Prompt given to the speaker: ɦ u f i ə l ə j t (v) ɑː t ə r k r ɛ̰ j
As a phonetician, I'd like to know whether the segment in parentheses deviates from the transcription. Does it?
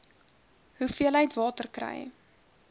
no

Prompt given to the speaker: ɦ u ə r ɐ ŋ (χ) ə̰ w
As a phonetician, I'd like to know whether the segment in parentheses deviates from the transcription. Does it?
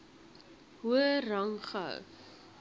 no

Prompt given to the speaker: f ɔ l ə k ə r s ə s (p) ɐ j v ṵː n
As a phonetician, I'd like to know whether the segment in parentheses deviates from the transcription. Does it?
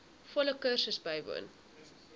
yes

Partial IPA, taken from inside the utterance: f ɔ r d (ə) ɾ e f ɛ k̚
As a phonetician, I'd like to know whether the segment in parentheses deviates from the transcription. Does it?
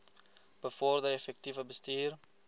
no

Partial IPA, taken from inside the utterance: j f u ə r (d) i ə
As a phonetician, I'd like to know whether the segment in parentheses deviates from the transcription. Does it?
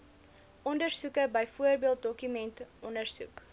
yes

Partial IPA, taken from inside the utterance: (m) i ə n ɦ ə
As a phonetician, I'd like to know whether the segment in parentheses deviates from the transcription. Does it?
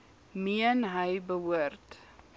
no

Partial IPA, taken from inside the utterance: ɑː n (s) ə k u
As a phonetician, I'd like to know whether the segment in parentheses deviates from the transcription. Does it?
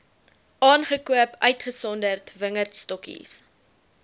yes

